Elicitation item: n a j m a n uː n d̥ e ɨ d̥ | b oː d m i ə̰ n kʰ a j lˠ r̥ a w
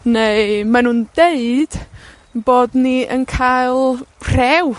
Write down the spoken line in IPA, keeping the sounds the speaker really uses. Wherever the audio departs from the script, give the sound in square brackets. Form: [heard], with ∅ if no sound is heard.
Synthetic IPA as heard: n [e] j m a n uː n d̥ e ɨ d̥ | b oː d [n] i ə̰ n kʰ a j lˠ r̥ [ɛ] w